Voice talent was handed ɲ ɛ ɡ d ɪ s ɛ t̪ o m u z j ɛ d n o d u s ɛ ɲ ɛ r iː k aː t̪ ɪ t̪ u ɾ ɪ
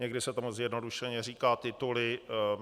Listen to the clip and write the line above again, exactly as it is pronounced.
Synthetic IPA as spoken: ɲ ɛ ɡ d ɪ s ɛ t̪ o m u z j ɛ d n o d u ʃ ɛ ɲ ɛ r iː k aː t̪ ɪ t̪ u l ɪ